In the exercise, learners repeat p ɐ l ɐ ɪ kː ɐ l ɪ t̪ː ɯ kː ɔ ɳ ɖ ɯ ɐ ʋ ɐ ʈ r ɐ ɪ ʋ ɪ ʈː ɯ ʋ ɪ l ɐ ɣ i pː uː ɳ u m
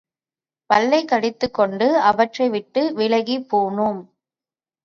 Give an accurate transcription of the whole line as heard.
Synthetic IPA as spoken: p ɐ lː ɐ ɪ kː ɐ ɽ ɪ t̪ː ɯ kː ɔ ɳ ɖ ɯ ɐ ʋ ɐ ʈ r ɐ ɪ ʋ ɪ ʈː ɯ ʋ ɪ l ɐ ɣ i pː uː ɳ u m